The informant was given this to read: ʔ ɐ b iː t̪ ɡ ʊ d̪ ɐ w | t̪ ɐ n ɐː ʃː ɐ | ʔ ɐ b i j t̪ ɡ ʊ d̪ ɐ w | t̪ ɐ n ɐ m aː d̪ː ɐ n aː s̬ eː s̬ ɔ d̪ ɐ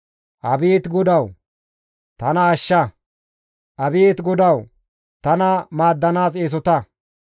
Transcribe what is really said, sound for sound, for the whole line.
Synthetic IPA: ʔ ɐ b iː t̪ ɡ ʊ d̪ ɐ w | t̪ ɐ n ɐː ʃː ɐ | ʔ ɐ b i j t̪ ɡ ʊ d̪ ɐ w | t̪ ɐ n ɐ m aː d̪ː ɐ n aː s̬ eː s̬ ɔ t̪ ɐ